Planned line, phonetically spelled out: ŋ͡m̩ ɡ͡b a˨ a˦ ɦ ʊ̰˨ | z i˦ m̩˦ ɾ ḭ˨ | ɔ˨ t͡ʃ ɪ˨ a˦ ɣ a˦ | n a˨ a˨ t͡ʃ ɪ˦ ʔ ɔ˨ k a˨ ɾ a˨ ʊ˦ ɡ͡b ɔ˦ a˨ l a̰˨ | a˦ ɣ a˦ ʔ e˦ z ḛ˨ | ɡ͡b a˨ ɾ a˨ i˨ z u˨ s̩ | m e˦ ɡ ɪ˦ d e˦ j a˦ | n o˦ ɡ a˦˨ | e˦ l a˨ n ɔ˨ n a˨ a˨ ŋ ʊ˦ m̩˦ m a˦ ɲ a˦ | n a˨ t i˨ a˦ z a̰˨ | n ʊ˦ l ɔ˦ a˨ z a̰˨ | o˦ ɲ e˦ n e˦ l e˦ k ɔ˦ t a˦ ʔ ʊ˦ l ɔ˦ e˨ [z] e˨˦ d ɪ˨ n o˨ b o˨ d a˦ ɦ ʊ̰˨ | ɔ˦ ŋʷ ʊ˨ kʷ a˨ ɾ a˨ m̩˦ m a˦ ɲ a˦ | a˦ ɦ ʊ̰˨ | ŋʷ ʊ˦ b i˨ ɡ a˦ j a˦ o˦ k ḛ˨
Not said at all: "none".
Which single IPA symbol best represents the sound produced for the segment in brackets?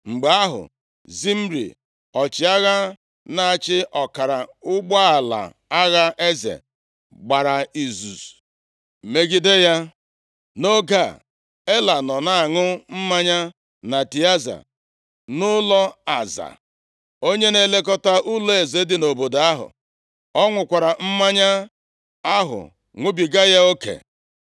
z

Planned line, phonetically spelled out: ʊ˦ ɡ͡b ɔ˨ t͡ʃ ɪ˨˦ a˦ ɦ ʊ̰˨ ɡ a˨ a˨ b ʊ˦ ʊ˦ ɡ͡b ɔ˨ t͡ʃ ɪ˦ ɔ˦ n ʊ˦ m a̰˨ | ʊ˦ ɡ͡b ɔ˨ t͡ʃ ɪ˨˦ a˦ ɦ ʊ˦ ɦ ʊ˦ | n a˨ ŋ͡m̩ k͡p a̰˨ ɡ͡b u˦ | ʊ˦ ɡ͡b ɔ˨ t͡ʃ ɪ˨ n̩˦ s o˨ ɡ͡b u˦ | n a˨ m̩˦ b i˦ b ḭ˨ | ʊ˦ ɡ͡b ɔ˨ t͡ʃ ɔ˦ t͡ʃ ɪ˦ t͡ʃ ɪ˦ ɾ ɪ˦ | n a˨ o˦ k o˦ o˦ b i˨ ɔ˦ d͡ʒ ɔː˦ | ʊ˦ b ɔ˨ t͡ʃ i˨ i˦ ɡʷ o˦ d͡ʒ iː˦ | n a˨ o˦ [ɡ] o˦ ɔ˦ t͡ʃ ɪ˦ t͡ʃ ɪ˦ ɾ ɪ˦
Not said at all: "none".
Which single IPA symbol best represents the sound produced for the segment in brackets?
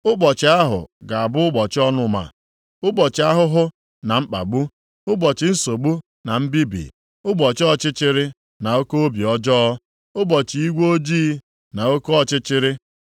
k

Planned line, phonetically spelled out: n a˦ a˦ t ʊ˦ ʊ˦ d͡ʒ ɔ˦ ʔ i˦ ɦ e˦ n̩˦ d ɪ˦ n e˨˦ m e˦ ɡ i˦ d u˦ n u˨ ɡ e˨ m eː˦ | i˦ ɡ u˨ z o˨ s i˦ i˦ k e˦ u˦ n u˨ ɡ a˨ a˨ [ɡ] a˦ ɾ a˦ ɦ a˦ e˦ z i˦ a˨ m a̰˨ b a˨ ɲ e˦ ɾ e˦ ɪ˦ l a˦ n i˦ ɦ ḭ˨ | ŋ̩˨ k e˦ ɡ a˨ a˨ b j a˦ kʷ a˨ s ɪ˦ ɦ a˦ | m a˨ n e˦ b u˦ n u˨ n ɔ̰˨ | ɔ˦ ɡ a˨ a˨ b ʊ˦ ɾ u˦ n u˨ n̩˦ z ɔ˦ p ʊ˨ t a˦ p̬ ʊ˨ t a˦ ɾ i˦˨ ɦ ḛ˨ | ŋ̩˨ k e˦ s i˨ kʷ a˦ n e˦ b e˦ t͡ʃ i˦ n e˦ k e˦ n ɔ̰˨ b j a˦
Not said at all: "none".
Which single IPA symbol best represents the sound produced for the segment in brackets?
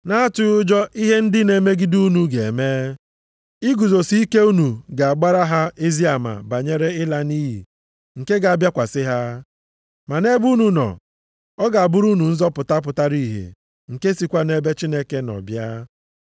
ɡ͡b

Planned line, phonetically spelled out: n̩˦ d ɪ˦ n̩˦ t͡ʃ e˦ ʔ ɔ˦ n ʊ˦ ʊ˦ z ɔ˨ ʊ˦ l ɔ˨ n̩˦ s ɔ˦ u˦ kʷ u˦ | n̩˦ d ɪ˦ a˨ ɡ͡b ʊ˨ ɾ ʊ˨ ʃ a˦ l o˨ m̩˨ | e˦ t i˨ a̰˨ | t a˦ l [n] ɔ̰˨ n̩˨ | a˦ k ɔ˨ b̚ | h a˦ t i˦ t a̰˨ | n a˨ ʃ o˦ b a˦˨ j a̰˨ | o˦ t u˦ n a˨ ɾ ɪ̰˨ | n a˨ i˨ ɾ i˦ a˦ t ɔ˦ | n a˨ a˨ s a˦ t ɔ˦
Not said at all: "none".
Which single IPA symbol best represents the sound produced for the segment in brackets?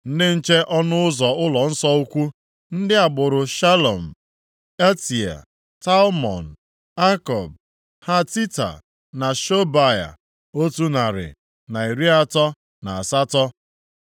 m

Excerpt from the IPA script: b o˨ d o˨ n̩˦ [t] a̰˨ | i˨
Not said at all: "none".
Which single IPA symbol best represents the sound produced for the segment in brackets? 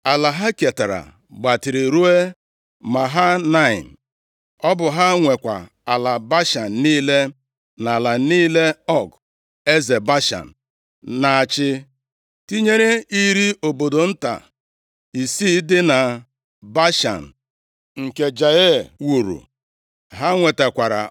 t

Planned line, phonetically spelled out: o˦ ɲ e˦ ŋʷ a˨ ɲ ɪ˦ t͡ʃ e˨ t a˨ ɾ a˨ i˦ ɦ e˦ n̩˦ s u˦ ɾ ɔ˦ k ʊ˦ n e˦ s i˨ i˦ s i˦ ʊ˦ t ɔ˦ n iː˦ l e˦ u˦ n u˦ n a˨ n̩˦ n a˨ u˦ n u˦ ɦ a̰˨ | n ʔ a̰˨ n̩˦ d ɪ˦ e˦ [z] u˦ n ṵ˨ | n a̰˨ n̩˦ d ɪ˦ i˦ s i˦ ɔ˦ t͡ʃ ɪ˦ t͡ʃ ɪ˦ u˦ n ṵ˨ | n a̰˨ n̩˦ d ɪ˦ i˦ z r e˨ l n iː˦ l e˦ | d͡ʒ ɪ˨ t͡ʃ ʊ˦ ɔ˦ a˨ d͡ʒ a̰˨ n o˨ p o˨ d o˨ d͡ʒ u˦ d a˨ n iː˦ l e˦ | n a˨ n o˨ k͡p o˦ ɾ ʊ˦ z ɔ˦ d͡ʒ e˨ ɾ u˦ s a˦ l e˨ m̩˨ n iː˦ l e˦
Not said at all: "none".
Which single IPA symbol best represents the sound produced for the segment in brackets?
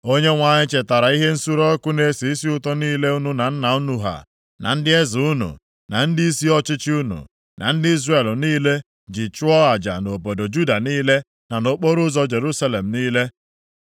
z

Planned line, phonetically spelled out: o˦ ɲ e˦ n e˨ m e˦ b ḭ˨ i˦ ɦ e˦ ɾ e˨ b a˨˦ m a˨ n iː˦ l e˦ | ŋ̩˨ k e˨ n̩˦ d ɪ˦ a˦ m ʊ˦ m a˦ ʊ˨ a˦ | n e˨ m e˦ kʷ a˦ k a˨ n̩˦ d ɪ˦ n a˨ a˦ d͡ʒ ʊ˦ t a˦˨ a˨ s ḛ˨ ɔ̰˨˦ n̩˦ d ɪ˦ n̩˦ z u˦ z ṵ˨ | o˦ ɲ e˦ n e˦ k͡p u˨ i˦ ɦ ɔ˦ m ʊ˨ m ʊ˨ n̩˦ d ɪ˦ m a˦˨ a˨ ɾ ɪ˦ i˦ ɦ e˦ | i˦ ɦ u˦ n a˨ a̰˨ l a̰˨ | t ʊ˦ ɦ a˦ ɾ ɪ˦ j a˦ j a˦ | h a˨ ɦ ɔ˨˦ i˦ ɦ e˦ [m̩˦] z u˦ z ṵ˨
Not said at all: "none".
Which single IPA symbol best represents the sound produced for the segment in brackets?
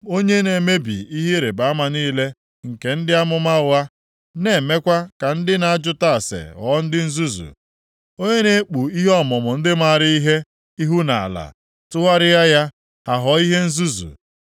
n̩˦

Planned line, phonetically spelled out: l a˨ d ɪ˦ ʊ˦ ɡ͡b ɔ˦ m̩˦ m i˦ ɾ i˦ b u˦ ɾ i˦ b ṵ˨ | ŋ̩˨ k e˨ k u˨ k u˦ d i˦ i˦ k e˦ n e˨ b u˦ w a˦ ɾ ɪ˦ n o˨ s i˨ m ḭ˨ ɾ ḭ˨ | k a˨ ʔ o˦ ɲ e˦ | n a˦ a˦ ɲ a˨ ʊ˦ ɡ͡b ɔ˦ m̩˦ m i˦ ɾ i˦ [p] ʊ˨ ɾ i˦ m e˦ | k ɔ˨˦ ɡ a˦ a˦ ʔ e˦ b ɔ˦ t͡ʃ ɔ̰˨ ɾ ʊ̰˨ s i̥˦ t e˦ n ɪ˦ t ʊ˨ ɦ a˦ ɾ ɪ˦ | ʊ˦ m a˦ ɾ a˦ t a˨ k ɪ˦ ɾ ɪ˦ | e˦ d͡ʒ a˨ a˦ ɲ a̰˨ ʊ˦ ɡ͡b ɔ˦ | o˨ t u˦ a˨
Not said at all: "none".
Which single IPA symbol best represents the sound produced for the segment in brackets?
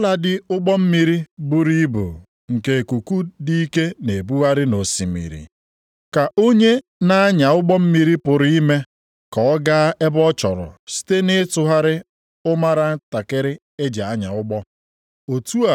p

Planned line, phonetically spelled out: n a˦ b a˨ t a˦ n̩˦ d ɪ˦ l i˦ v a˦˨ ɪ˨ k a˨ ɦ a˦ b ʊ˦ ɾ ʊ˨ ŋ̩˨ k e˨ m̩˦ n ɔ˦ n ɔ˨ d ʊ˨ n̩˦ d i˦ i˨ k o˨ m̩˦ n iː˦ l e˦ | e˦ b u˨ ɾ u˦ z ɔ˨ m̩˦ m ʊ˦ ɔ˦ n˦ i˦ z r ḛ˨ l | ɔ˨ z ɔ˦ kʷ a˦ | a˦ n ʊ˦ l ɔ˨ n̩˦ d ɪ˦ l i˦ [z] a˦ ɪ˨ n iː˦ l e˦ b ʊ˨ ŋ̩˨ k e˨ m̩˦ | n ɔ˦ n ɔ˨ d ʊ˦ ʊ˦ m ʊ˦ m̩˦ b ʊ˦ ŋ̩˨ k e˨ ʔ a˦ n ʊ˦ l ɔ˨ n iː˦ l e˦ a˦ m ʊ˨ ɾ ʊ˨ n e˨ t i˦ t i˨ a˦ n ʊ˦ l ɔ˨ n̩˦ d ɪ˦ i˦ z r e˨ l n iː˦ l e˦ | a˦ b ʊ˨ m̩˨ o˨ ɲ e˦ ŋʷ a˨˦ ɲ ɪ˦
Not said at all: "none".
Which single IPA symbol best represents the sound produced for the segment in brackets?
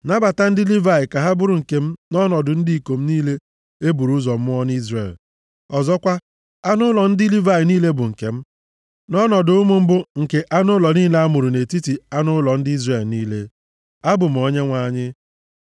v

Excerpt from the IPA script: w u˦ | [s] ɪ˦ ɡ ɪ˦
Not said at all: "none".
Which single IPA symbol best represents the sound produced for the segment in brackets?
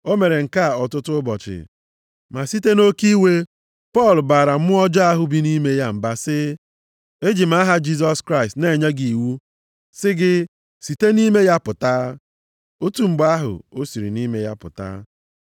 s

